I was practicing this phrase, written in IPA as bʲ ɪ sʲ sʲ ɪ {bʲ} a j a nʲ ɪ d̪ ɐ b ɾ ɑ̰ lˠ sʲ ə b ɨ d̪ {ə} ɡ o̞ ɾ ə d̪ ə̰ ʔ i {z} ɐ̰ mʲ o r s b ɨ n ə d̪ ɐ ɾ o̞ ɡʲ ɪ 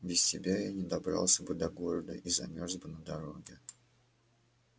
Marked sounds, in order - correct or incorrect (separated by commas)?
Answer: correct, incorrect, correct